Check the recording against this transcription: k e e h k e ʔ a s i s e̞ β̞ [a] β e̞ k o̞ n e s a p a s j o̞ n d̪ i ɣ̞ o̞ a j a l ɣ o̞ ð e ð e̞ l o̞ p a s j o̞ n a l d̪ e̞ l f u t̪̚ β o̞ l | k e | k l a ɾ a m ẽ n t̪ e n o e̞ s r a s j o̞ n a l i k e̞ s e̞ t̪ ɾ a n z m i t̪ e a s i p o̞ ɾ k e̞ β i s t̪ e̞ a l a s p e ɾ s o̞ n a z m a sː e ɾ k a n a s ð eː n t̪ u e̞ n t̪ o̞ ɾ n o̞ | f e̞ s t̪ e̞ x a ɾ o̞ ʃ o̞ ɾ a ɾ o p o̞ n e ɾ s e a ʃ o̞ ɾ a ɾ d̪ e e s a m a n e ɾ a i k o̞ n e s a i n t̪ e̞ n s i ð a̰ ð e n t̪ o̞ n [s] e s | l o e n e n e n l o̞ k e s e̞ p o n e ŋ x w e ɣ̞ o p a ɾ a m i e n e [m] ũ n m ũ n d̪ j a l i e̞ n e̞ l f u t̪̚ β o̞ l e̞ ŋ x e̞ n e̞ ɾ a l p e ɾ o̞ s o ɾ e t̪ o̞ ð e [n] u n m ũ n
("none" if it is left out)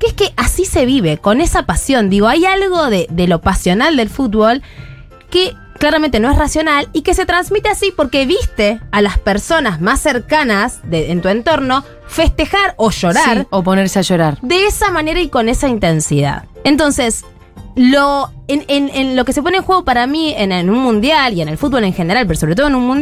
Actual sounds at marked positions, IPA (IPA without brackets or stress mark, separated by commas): i, s, n, n